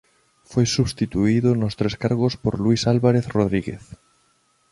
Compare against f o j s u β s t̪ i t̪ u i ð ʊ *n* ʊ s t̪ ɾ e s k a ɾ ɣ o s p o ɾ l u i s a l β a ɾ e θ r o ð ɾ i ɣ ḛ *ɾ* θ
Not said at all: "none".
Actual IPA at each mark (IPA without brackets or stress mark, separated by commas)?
n, none